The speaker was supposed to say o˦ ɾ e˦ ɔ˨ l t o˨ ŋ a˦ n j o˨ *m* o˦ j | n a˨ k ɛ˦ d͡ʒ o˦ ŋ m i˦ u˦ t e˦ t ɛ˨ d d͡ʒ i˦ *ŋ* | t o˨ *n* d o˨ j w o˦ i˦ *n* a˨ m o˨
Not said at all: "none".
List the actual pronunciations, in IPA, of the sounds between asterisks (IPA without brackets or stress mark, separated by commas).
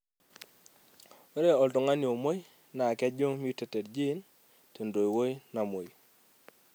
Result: m, n, n, n